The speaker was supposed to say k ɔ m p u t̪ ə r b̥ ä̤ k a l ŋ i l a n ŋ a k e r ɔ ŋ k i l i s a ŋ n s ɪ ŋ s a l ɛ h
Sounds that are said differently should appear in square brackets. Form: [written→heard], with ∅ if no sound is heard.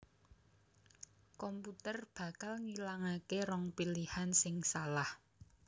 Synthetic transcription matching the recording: k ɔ m p u t̪ ə r b̥ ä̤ k a l ŋ i l a [n→∅] ŋ a k e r ɔ ŋ [k→p] i l i [s→h] a [ŋ→∅] n s ɪ ŋ s a l [ɛ→a] h